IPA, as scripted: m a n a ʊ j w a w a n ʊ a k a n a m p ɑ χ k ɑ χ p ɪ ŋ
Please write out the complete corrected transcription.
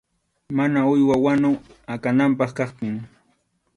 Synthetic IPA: m a n a ʊ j w a w a n ʊ a k a n a m p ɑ χ k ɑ χ p ɪ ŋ